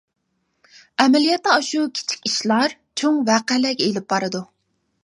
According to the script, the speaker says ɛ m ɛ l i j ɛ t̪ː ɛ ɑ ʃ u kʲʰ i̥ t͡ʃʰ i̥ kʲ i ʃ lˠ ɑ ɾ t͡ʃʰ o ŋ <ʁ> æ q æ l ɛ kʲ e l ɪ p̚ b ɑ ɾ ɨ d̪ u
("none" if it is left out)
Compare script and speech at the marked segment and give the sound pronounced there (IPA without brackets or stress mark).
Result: v